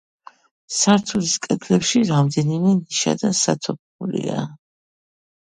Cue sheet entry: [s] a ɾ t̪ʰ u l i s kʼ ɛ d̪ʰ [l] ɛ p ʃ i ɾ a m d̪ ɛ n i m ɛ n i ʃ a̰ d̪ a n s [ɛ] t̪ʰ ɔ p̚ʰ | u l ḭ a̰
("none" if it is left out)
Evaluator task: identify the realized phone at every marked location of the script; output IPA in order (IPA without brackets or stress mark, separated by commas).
s, l, a